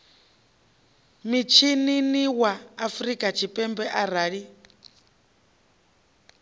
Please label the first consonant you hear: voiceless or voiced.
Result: voiced